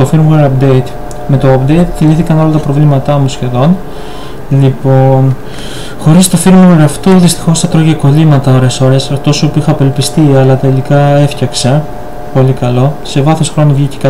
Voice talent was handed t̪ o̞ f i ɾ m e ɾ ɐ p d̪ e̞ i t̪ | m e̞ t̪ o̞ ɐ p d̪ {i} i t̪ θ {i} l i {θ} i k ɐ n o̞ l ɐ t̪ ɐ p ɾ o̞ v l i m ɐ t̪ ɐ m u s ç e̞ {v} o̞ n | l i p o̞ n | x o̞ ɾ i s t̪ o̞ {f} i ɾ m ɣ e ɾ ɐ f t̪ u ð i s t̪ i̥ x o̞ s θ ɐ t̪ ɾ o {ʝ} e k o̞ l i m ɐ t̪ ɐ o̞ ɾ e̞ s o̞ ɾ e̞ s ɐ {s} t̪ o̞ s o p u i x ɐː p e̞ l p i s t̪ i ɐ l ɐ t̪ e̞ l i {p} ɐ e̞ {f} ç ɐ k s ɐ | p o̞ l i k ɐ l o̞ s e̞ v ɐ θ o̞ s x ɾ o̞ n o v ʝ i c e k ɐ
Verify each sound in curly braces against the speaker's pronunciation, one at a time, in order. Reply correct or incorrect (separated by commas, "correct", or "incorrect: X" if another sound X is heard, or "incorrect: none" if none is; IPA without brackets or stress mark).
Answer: incorrect: e, correct, correct, incorrect: ð, correct, correct, incorrect: f, incorrect: k, correct